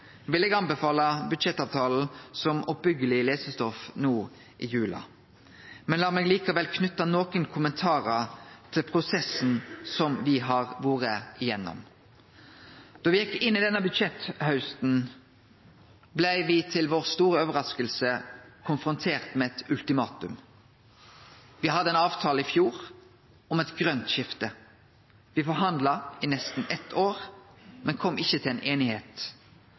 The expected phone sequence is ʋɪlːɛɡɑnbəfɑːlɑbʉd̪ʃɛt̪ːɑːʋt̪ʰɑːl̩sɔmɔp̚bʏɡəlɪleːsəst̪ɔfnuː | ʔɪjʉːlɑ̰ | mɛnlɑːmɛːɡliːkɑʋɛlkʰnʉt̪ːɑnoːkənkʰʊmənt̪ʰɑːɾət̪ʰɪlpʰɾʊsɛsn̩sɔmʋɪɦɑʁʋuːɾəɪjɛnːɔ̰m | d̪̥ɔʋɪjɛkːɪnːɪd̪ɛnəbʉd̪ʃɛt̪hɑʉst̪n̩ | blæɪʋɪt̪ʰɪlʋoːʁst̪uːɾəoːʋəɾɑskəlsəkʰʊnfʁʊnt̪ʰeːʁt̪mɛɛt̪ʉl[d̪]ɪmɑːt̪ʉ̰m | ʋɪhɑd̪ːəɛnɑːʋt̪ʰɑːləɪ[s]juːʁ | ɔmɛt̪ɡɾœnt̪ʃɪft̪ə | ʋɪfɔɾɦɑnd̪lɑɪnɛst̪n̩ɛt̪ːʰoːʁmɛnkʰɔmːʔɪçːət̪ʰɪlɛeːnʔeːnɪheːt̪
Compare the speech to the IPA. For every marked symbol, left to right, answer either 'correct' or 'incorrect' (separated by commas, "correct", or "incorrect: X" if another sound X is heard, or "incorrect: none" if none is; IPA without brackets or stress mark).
incorrect: t̪, incorrect: f